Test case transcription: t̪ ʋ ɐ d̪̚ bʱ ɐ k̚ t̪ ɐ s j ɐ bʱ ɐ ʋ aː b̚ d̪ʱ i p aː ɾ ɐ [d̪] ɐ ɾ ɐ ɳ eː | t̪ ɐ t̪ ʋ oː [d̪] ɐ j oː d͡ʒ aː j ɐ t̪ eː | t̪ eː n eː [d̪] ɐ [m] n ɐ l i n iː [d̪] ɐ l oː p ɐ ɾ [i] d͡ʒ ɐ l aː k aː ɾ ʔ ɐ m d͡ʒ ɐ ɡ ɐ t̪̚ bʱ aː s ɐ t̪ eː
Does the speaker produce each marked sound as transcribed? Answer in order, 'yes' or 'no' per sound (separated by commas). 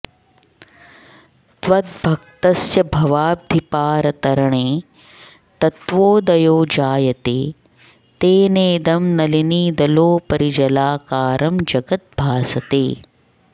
no, yes, yes, yes, yes, yes